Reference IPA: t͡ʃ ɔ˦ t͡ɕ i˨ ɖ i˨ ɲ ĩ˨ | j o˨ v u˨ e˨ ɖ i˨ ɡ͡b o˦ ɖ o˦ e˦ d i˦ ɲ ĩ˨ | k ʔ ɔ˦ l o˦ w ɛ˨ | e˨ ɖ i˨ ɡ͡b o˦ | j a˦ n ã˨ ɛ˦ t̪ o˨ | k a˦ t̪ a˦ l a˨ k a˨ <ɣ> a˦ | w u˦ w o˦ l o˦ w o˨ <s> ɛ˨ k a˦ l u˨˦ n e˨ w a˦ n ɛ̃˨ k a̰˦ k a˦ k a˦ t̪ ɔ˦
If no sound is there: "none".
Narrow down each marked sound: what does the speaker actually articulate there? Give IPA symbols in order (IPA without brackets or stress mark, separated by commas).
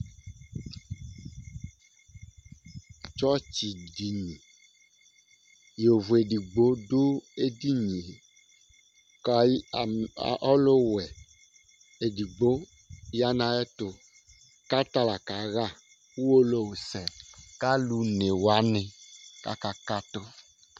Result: ɣ, s